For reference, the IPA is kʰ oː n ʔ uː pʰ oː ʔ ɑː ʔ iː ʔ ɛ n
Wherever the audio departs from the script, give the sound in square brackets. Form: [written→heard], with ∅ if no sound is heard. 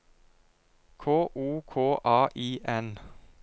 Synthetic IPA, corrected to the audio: kʰ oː [n→∅] ʔ uː [pʰ→kʰ] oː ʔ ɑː ʔ iː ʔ ɛ n